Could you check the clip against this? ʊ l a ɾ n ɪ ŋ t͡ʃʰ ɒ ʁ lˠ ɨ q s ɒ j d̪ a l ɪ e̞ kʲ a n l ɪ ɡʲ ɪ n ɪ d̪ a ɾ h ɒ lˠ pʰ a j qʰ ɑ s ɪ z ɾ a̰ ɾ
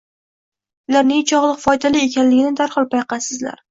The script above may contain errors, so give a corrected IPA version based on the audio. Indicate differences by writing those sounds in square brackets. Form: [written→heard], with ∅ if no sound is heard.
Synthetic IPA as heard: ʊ l a ɾ n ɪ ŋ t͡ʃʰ ɒ ʁ lˠ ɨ q [s→f] ɒ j d̪ a l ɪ e̞ kʲ a n l ɪ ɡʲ ɪ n ɪ d̪ a ɾ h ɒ lˠ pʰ a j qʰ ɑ s ɪ z [ɾ→l] a̰ ɾ